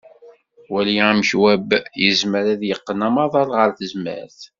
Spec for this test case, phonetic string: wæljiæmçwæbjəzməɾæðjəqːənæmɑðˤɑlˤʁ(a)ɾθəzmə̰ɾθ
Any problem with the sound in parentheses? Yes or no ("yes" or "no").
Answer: yes